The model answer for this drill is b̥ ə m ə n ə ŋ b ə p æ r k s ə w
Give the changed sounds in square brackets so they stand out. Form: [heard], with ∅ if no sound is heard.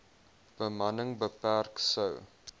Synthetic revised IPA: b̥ ə m [ɐ] n ə ŋ b ə p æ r k s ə w

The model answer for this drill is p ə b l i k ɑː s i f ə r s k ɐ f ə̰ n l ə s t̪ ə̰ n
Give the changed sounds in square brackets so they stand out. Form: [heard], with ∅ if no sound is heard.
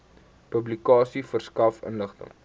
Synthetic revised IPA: p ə b l i k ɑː s i f ə r s k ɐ f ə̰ n l ə [χ] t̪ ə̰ [ŋ]

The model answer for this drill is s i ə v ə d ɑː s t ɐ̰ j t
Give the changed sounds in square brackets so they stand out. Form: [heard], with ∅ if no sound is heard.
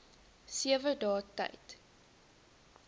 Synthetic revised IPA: s i ə v ə d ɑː [∅] t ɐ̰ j t

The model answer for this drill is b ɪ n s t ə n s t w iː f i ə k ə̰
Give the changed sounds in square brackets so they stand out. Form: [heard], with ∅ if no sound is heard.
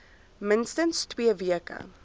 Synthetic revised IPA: [m] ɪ n s t ə n s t w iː [v] i ə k ə̰

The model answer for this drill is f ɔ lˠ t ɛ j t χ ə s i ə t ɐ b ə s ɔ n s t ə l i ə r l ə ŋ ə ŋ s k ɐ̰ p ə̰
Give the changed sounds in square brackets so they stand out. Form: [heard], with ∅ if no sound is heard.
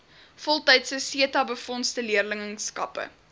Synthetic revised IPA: f ɔ lˠ t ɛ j t [s] ə s i ə t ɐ b ə [f] ɔ n s t ə l i ə r l ə ŋ ə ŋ s k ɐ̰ p ə̰

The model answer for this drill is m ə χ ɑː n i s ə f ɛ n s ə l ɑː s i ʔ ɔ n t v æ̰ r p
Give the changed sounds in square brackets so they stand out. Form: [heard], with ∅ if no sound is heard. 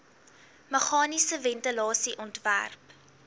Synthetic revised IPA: m ə χ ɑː n i s ə [v] ɛ n [t] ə l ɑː s i ʔ ɔ n t v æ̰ r p

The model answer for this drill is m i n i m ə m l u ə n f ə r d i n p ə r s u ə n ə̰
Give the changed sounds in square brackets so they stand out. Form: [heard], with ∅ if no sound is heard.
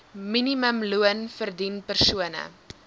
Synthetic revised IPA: m i n i m ə m l u ə n f ə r d i n p ə r s u ə n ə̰

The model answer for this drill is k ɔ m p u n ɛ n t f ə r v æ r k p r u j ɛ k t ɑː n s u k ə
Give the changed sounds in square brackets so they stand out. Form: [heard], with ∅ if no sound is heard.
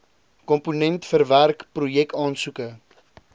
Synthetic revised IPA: k ɔ m p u n ɛ n t f ə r v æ r k p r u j ɛ k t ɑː n s u k ə

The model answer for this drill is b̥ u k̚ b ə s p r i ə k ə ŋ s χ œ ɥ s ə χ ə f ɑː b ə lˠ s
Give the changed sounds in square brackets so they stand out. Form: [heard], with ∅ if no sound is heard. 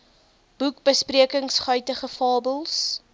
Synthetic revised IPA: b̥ u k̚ b ə s p r i ə k ə ŋ s χ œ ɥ [t] ə χ ə f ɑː b ə lˠ s

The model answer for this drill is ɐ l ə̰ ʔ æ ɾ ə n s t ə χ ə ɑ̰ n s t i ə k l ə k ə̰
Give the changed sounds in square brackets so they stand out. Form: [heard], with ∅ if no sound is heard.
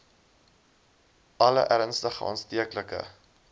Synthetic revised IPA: ɐ l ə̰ ʔ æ ɾ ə n s t ə χ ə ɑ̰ n s t i ə k l ə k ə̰

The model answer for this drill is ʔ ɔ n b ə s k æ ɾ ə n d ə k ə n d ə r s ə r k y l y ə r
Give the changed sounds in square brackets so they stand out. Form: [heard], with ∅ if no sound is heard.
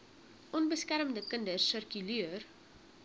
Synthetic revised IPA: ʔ ɔ n b ə s k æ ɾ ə [m] d ə k ə n d ə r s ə r k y l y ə r

